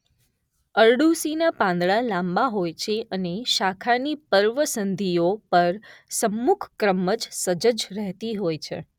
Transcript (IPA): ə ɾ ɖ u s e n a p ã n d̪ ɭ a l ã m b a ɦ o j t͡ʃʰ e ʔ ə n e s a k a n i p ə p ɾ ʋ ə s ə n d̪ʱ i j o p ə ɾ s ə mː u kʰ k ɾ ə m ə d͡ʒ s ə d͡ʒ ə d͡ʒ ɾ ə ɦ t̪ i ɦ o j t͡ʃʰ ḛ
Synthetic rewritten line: ə ɾ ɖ u s i n a p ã n d̪ ɭ a l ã m b a ɦ o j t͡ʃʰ e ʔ ə n e ʃ a kʰ a n i p ə ɾ ʋ ə s ə n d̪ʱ i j o p ə ɾ s ə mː u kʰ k ɾ ə m ə d͡ʒ s ə d͡ʒ ə d͡ʒ ɾ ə ɦ t̪ i ɦ o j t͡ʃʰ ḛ